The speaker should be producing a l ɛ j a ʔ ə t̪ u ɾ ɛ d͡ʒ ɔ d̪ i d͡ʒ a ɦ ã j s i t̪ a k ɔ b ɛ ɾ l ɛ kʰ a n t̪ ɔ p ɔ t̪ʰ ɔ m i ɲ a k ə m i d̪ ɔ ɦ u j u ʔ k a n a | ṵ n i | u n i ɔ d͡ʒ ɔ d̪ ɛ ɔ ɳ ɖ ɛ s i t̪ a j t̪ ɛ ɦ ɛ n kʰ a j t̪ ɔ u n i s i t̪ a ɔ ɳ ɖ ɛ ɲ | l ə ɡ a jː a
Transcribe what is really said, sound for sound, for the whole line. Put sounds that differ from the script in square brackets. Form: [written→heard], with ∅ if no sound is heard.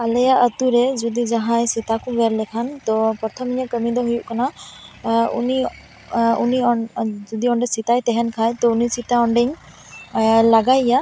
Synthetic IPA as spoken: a l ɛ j a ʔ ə t̪ u ɾ ɛ d͡ʒ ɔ d̪ i d͡ʒ a ɦ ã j s i t̪ a k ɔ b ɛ ɾ l ɛ kʰ a n t̪ ɔ p ɔ t̪ʰ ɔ m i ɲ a k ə m i d̪ ɔ ɦ u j u ʔ k a n a | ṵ n i | u n i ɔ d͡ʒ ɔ d̪ [ɛ→i] ɔ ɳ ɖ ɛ s i t̪ a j t̪ ɛ ɦ ɛ n kʰ a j t̪ ɔ u n i s i t̪ a ɔ ɳ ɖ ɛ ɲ | l [ə→a] ɡ a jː a

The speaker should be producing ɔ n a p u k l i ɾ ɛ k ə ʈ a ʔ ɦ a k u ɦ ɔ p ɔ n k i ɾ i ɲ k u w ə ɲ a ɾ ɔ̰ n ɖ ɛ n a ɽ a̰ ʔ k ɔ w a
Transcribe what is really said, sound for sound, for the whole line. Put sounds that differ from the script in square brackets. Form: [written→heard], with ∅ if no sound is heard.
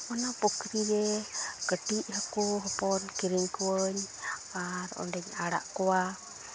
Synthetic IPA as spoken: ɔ n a p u k [l→ɾ] i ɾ ɛ k ə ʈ [a→i] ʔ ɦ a k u ɦ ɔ p ɔ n k i ɾ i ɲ k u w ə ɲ a ɾ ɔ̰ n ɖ ɛ [n→ɲ] a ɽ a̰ ʔ k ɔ w a

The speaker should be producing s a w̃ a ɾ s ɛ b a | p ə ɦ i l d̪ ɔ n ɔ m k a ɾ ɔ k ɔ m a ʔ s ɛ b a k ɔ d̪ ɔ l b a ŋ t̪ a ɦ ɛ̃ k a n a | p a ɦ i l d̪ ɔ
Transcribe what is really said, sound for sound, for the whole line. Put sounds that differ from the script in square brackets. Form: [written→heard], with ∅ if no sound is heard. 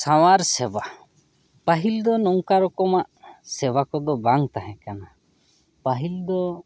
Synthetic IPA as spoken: s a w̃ a ɾ s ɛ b a | p [ə→a] ɦ i l d̪ ɔ n ɔ [m→ŋ] k a ɾ ɔ k ɔ m a ʔ s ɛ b a k ɔ d̪ ɔ [l→∅] b a ŋ t̪ a ɦ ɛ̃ k a n a | p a ɦ i l d̪ ɔ

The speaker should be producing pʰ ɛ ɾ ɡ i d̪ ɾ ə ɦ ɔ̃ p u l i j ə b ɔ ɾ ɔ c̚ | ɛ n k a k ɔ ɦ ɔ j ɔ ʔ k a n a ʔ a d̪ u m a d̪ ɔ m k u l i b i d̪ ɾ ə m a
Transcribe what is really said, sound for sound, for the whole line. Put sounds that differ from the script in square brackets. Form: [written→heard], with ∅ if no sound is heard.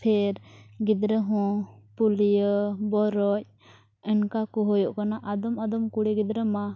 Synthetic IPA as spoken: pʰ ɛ ɾ ɡ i d̪ ɾ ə ɦ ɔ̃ p u l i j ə b ɔ ɾ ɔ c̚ | ɛ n k a k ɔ ɦ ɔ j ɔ ʔ k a n a ʔ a d̪ [u→ɔ] m a d̪ ɔ m k u [l→ɽ] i [b→ɡ] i d̪ ɾ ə m a

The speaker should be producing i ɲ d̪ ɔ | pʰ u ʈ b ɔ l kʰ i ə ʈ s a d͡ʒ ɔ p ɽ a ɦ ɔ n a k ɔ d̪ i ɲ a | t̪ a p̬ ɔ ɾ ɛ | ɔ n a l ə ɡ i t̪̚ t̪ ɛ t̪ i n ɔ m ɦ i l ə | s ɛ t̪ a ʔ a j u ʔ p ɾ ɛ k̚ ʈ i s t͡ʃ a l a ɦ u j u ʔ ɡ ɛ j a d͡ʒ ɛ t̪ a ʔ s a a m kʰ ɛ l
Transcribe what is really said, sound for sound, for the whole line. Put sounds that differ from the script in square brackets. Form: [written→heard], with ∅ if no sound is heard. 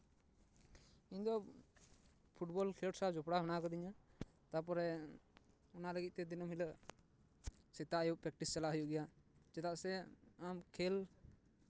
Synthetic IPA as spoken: i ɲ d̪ ɔ | pʰ u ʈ b ɔ l kʰ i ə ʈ s a d͡ʒ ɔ p ɽ a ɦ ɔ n a k ɔ d̪ i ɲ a | t̪ a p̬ ɔ ɾ ɛ | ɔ n a l ə ɡ i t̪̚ t̪ ɛ [t̪→d̪] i n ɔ m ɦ i l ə | s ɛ t̪ a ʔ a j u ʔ p ɾ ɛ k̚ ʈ i s t͡ʃ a l a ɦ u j u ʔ ɡ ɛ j a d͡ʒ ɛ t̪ a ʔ s [a→ɛ] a m kʰ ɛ l

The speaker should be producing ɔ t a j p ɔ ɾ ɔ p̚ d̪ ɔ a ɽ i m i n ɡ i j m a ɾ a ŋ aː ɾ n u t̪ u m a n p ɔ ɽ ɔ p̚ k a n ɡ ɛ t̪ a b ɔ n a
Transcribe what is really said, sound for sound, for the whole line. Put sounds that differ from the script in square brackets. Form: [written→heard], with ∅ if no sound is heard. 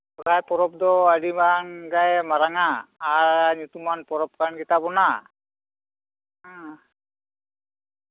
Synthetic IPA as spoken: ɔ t a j p ɔ ɾ ɔ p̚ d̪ ɔ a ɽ i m [i→a] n ɡ [i→a] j m a ɾ a ŋ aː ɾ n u t̪ u m a n p ɔ [ɽ→ɾ] ɔ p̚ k a n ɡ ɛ t̪ a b ɔ n a

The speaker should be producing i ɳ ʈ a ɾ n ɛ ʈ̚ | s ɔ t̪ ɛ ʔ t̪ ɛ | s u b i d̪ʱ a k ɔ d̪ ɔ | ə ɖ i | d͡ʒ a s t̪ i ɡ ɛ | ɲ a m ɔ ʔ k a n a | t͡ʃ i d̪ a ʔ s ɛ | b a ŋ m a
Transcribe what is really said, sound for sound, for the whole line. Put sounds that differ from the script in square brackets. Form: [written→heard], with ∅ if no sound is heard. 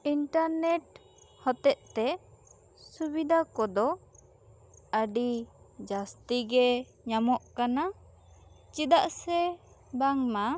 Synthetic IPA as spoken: i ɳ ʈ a ɾ n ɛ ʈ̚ | [s→h] ɔ t̪ ɛ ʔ t̪ ɛ | s u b i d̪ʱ a k ɔ d̪ ɔ | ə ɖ i | d͡ʒ a s t̪ i ɡ ɛ | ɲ a m ɔ ʔ k a n a | t͡ʃ i d̪ a ʔ s ɛ | b a ŋ m a

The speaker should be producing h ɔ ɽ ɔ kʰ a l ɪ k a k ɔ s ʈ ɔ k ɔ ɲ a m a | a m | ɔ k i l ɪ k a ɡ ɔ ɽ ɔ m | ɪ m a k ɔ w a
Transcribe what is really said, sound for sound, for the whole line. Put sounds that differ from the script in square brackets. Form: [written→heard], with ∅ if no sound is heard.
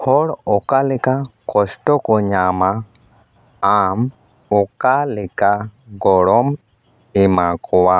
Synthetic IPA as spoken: h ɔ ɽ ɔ [kʰ→k] a l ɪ k a k ɔ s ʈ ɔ k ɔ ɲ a m a | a m | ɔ k [i→a] l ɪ k a ɡ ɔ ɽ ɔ m | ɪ m a k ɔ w a

